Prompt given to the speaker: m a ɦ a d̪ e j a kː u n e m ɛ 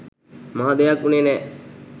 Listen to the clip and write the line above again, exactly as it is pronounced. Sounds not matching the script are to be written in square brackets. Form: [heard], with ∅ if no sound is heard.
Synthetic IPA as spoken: m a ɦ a d̪ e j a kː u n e [n] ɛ